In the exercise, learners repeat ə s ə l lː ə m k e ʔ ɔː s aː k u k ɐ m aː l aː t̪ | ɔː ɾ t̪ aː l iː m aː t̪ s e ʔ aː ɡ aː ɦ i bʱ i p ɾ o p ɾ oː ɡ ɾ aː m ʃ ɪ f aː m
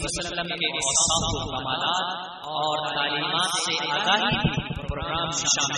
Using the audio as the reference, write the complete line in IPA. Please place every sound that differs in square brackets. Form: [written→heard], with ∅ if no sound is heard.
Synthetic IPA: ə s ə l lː ə m k e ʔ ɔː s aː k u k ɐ m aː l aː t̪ | ɔː ɾ t̪ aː l iː m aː t̪ s e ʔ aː ɡ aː ɦ i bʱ i p ɾ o p ɾ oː ɡ ɾ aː m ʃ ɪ [f→ʃ] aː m